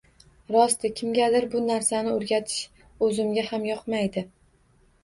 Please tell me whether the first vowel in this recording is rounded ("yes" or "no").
yes